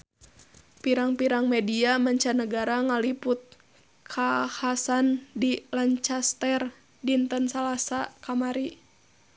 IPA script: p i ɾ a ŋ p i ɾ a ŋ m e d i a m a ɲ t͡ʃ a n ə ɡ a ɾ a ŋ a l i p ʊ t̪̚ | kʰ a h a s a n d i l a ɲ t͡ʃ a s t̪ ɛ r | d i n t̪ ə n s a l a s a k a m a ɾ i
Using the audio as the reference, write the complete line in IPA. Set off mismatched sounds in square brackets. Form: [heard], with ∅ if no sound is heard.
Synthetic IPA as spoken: p i ɾ a ŋ p i ɾ a ŋ m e d i a m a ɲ t͡ʃ a n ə ɡ a ɾ a ŋ a l i p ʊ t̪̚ | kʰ a h a s a n d i l a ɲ t͡ʃ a s t̪ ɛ r | d i n t̪ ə n s a l a s a k a m a ɾ i